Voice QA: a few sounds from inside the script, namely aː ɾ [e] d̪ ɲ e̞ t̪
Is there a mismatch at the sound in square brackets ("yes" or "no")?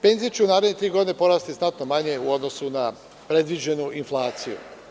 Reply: no